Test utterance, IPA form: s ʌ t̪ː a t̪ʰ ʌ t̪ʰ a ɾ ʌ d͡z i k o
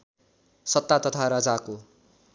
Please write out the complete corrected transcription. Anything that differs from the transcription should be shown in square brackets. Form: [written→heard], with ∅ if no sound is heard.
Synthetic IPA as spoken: s ʌ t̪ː a [t̪ʰ→t̪] ʌ t̪ʰ a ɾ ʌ d͡z [i→a] k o